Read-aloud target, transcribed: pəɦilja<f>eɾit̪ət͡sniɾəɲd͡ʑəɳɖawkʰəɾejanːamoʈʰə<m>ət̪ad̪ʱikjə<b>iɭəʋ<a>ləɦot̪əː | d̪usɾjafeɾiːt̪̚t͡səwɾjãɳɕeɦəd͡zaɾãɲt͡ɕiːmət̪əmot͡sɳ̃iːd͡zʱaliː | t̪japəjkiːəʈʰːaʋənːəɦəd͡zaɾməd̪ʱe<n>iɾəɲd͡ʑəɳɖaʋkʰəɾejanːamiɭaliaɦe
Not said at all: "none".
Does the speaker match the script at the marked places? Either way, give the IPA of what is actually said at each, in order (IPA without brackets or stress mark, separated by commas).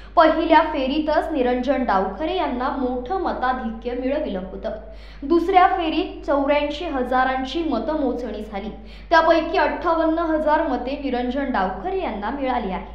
f, m, m, i, n